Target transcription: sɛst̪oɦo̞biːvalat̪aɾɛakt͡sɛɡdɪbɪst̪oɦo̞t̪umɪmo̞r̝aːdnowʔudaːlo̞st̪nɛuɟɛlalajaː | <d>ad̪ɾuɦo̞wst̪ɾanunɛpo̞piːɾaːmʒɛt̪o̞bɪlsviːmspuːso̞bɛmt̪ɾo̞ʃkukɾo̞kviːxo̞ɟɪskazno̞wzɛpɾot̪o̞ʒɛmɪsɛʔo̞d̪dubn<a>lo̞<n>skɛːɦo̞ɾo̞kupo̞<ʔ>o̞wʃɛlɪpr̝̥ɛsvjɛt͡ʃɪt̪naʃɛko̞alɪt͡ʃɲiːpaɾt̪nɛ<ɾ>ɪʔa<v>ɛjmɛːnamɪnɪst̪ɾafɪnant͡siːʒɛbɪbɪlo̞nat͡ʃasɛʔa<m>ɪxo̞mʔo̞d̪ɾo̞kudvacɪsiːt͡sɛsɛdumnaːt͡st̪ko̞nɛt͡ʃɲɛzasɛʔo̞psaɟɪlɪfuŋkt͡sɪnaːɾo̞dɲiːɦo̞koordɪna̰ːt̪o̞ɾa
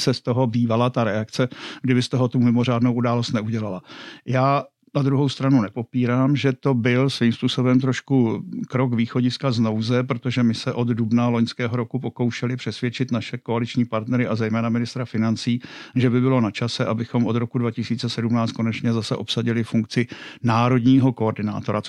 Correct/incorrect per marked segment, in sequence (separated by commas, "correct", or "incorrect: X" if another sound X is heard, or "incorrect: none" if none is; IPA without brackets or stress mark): incorrect: n, correct, incorrect: ɲ, incorrect: k, correct, incorrect: z, incorrect: b